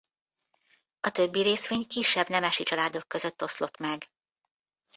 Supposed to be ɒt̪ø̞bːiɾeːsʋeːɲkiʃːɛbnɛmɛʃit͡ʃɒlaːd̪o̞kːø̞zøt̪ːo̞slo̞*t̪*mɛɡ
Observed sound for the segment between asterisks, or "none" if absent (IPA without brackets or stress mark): t̪